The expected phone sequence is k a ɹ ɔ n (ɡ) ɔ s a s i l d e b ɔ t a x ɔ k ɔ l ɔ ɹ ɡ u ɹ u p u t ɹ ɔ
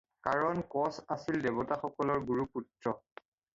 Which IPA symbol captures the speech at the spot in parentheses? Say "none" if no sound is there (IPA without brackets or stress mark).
k